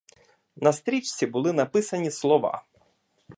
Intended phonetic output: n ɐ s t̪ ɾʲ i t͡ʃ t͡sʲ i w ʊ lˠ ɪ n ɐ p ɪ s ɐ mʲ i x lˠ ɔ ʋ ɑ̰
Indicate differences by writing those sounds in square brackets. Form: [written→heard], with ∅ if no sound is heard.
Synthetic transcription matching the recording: n ɐ s t̪ ɾʲ i t͡ʃ t͡sʲ i [w→b] ʊ lˠ ɪ n ɐ p ɪ s ɐ [mʲ→nʲ] i [x→s] lˠ ɔ ʋ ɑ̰